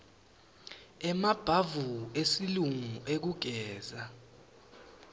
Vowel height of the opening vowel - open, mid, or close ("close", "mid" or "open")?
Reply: mid